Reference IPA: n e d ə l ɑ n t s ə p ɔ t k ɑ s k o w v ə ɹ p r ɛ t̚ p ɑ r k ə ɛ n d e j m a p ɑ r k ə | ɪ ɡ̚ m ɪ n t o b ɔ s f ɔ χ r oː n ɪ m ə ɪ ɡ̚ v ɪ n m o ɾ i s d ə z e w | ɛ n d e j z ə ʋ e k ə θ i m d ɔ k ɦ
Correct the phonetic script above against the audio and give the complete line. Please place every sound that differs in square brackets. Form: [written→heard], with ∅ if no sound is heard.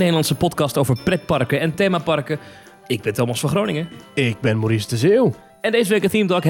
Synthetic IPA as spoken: n e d ə l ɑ n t s ə p ɔ t k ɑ s [k→t] o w v ə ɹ p r ɛ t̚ p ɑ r k ə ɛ n [d→t] e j m a p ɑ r k ə | ɪ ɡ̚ [m→b] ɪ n t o [b→m] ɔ s f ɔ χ r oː n ɪ [m→ŋ] ə ɪ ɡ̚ [v→b] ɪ n m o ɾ i s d ə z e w | ɛ n d e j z ə ʋ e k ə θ i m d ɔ k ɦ